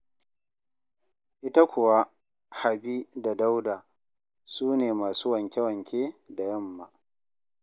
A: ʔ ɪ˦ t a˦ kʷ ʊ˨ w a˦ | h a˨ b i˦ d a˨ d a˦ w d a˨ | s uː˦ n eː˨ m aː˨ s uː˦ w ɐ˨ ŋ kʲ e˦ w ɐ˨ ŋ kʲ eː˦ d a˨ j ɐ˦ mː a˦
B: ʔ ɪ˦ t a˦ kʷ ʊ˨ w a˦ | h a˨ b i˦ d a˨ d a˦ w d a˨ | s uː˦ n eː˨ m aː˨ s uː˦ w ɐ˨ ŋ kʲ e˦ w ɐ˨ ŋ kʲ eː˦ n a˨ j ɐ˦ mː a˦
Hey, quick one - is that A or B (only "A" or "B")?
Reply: A